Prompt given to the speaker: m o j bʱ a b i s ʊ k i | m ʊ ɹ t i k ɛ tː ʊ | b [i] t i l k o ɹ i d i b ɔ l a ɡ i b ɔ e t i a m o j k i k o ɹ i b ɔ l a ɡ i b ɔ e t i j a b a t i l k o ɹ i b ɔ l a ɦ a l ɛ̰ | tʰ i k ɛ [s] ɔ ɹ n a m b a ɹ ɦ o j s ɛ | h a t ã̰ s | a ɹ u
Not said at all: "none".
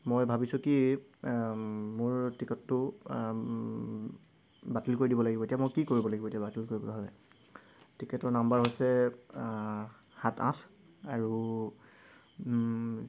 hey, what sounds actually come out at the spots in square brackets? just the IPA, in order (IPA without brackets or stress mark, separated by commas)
a, t